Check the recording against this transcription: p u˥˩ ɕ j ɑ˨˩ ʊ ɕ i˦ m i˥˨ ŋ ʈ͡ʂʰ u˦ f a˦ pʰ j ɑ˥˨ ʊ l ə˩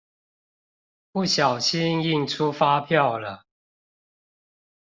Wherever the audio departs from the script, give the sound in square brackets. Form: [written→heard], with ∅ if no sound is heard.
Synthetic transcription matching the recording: p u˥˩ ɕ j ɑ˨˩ ʊ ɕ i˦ [m→ŋ] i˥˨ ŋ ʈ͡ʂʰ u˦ f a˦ pʰ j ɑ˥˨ ʊ l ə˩